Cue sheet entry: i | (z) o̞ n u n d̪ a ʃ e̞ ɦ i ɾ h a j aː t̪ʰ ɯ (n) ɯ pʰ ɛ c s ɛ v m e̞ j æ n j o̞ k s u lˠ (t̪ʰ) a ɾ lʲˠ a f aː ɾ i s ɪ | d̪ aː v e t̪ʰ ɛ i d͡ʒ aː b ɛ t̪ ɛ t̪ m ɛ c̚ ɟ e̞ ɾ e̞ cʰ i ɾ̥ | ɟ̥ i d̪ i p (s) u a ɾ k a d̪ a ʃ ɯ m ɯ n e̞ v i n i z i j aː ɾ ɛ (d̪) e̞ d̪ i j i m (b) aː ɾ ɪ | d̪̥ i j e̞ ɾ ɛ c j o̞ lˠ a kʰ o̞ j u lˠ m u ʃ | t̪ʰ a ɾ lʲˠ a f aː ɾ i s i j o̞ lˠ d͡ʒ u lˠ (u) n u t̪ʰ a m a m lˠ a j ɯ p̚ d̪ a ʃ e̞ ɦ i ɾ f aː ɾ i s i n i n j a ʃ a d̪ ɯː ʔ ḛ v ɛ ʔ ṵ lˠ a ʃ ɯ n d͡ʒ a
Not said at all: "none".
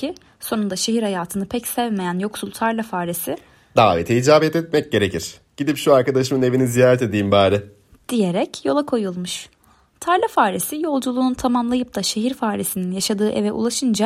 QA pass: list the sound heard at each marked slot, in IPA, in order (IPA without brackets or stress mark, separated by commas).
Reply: s, n, t̪ʰ, ʃ, t̪, b, uː